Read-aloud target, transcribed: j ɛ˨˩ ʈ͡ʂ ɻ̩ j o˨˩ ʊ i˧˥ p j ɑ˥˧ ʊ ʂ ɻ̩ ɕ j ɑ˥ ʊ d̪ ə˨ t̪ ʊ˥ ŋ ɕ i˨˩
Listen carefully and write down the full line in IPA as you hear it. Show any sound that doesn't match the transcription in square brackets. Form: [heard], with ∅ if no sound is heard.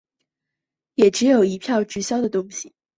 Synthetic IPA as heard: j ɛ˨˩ ʈ͡ʂ ɻ̩ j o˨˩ ʊ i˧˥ [pʰ] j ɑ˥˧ ʊ [ʈ͡ʂ] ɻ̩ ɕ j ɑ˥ ʊ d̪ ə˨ t̪ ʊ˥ ŋ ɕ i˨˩